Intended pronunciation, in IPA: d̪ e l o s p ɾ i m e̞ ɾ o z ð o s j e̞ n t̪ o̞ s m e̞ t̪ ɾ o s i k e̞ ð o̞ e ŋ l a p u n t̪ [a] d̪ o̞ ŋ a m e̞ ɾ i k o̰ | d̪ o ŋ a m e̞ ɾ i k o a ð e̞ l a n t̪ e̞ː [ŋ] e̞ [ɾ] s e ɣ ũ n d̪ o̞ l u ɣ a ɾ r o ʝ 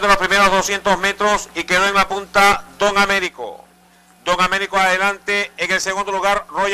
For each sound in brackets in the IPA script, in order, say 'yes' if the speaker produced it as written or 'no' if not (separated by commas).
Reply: yes, yes, no